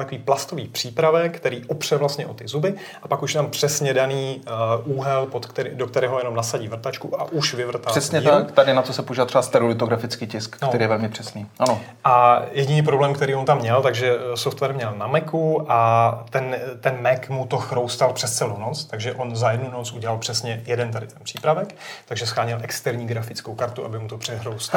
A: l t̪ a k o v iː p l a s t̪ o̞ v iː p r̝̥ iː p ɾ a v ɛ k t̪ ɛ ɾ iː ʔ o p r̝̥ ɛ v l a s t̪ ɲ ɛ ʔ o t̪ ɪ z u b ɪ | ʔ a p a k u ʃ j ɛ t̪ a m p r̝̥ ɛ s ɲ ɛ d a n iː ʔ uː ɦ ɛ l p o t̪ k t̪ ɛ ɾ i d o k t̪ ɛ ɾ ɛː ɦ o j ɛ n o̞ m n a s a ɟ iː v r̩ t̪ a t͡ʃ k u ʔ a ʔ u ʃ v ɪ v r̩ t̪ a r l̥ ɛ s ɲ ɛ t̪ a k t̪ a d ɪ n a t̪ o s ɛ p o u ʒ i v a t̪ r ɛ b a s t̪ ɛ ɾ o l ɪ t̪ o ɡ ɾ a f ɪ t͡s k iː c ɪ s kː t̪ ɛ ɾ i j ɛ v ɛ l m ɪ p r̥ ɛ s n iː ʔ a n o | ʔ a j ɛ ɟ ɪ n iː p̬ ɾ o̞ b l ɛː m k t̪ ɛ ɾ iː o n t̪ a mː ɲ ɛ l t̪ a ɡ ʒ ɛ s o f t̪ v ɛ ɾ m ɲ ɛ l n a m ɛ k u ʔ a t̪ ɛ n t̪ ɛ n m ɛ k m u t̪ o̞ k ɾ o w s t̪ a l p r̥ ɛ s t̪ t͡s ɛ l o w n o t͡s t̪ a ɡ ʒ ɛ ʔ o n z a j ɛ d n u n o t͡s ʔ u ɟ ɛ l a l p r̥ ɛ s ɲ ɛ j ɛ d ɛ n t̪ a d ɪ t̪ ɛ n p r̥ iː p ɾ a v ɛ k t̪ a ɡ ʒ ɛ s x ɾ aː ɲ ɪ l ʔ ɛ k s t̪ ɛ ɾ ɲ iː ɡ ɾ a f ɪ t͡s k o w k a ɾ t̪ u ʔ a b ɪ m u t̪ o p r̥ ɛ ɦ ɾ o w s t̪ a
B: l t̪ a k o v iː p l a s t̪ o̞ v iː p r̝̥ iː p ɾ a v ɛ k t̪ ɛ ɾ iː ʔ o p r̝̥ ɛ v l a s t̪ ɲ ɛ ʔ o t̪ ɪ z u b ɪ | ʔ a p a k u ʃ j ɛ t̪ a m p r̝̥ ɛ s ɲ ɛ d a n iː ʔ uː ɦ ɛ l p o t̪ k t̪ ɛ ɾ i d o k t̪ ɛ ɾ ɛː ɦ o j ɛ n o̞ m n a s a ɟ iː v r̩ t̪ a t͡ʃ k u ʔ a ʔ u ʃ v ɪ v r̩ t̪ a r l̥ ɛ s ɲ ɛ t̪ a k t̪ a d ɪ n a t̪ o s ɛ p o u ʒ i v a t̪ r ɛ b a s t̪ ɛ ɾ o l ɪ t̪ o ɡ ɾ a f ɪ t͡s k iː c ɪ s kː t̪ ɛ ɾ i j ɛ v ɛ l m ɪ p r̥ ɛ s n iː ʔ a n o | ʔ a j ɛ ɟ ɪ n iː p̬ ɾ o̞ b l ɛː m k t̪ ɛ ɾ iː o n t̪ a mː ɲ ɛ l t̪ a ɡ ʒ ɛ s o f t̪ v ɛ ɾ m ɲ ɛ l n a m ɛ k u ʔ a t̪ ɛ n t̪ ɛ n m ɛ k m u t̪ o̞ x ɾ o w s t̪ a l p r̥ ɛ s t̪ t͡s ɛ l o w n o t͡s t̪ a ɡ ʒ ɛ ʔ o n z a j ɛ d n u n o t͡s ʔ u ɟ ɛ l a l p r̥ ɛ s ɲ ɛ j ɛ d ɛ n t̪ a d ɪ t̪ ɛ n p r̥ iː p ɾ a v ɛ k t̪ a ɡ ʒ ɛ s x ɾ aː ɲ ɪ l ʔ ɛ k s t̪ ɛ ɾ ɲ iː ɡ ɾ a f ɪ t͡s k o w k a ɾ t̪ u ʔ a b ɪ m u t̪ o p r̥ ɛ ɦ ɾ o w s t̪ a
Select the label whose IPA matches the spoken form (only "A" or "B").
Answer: B